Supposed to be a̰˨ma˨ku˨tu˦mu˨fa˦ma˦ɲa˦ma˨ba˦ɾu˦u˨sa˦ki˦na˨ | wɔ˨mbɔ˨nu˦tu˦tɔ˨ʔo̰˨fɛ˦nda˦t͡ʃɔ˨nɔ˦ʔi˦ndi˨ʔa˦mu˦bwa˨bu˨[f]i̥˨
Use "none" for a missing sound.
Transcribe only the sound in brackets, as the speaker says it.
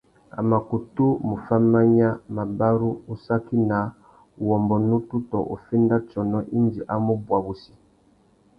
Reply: s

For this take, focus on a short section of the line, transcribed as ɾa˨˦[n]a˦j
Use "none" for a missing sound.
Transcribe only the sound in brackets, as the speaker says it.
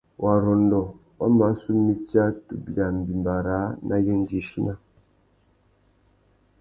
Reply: n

